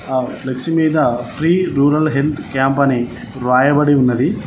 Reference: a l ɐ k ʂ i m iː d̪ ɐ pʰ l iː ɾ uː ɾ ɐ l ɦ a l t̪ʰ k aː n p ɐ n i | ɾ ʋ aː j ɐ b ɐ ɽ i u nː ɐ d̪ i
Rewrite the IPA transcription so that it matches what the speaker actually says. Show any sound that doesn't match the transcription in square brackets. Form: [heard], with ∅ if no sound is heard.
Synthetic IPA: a l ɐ k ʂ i m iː d̪ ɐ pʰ [ɾ] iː ɾ uː ɾ ɐ l ɦ [e] l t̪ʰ k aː [m] p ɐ n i | ɾ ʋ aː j ɐ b ɐ ɽ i u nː ɐ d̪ i